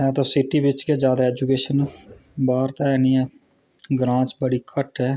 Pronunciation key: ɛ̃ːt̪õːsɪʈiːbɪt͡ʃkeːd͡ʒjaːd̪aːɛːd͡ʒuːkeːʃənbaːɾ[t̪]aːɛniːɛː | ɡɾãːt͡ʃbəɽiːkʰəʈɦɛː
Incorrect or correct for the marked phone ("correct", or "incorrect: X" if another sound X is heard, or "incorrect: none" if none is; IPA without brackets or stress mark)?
correct